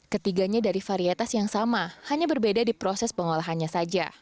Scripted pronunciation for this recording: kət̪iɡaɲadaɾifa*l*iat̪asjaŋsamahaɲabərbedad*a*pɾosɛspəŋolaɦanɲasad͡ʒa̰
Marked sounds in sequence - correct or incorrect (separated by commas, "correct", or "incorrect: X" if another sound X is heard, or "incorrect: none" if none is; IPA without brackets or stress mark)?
incorrect: ɾ, incorrect: i